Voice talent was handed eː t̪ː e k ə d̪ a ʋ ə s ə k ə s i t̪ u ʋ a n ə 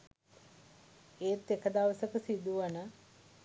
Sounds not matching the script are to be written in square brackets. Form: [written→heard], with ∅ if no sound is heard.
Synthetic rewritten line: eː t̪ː e k ə d̪ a ʋ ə s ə k ə s i [t̪→d̪] u ʋ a n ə